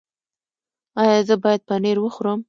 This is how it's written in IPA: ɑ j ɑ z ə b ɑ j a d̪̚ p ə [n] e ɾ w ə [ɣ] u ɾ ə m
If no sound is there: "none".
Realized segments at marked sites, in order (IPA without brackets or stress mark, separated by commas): n, x